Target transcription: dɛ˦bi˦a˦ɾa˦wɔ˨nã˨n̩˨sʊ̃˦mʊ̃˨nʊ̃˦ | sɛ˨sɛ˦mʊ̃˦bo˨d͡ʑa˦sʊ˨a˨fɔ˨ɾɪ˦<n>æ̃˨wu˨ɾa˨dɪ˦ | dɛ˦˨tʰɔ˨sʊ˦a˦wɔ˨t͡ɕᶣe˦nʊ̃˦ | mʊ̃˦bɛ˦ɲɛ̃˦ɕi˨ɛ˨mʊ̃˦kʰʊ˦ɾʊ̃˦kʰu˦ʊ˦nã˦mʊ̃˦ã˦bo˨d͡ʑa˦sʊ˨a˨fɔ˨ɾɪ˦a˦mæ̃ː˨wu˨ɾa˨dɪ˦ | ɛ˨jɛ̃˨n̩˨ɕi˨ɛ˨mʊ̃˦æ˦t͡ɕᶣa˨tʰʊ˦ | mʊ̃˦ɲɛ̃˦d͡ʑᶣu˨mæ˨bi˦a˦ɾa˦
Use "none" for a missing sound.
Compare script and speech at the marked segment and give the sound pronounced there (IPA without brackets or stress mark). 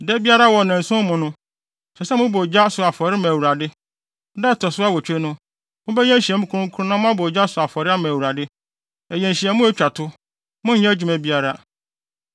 m